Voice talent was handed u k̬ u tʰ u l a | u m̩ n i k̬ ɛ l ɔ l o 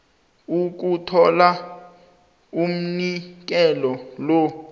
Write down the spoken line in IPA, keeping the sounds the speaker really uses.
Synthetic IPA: u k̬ u tʰ ɔ l a | u m̩ n i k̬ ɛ l ɔ l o